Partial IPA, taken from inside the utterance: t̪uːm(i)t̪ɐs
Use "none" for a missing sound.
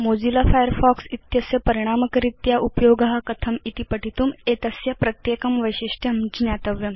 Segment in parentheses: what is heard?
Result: e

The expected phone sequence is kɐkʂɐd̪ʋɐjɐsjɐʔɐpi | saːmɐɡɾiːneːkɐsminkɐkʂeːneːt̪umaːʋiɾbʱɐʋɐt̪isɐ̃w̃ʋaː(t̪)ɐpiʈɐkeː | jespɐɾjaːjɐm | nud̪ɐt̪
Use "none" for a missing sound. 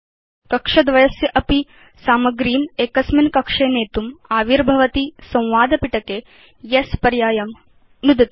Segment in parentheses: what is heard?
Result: d̪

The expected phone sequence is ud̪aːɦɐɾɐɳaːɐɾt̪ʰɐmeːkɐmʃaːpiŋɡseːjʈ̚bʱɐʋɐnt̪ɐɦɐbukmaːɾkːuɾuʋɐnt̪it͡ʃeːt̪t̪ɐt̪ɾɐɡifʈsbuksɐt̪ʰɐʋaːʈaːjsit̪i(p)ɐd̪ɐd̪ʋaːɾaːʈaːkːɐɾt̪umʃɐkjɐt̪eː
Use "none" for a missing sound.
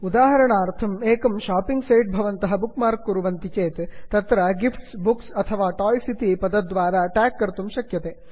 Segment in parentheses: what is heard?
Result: p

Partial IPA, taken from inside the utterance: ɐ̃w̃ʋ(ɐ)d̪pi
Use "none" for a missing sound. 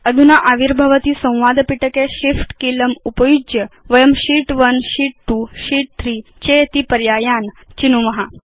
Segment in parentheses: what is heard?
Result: a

